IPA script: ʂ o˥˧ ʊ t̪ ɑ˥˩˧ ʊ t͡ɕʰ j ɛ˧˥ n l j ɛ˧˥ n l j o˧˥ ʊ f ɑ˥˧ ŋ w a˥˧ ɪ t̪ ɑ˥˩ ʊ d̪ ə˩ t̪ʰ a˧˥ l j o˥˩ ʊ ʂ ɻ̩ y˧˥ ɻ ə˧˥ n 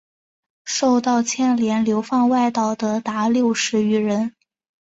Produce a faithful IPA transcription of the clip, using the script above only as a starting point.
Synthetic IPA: ʂ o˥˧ ʊ t̪ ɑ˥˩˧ ʊ t͡ɕʰ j ɛ˥˩ n l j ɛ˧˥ n l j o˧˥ ʊ f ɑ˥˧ ŋ w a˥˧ ɪ t̪ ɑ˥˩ ʊ d̪ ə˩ t̪ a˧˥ l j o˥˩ ʊ ʂ ɻ̩ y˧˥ ɻ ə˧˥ n